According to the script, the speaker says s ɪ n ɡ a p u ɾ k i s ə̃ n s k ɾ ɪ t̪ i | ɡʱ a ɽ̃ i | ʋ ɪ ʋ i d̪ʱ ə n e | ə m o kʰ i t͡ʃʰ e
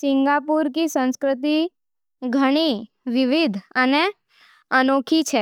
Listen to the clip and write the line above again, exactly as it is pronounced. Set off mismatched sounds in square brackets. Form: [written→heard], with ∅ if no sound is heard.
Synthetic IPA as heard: s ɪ [n→ŋ] ɡ a p u ɾ k i s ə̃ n s k ɾ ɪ t̪ i | ɡʱ [a→ə] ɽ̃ i | ʋ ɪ ʋ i d̪ʱ ə n e | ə [m→n] o kʰ i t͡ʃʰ e